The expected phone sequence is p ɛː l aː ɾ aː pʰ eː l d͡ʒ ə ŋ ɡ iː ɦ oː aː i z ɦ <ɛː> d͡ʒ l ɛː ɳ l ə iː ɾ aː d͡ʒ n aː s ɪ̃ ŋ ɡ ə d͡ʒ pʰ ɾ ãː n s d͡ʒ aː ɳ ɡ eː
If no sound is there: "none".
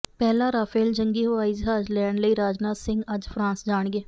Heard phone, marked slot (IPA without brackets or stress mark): aː